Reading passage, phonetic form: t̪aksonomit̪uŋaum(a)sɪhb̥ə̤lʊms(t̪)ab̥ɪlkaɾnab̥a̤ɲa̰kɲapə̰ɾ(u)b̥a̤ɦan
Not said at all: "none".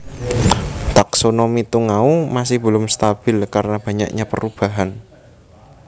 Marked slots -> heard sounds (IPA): a, t̪, u

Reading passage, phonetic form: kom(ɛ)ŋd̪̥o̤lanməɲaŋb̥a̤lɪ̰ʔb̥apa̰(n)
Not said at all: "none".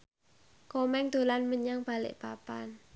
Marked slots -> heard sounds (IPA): ɛ, n

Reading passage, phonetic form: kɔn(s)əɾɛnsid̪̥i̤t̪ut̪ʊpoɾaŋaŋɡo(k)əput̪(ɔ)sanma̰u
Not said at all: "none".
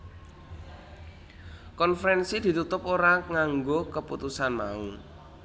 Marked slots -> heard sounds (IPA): f, k, u

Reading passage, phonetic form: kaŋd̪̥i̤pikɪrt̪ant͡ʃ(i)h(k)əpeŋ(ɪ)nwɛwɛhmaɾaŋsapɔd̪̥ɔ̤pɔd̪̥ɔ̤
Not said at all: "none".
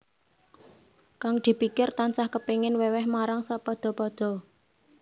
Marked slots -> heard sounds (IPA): a, k, ɪ

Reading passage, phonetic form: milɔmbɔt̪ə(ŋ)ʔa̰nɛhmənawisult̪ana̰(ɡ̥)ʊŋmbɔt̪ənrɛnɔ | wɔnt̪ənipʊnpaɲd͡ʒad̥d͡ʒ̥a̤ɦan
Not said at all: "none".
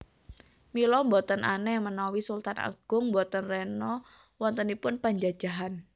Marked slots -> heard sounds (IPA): n, ɡ̥

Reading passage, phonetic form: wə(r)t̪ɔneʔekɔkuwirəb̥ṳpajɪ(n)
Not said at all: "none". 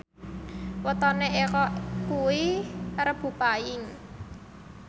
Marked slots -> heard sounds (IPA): none, ŋ

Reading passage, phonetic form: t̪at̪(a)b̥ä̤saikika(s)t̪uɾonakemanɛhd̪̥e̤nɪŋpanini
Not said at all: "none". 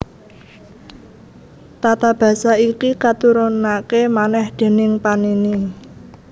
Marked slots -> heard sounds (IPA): a, none

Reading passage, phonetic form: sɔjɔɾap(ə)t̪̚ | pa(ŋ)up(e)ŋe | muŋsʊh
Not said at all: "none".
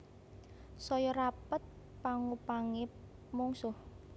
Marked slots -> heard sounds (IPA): ə, ŋ, a

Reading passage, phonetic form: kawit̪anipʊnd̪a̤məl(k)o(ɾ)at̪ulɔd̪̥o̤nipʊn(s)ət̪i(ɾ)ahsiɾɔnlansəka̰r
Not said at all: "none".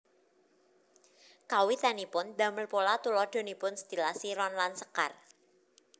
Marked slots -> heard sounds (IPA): p, l, s, l

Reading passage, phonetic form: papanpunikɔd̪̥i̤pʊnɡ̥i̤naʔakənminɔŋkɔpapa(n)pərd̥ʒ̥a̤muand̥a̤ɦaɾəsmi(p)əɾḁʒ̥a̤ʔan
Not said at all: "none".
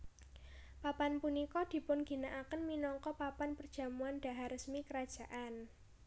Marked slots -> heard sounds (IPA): n, k

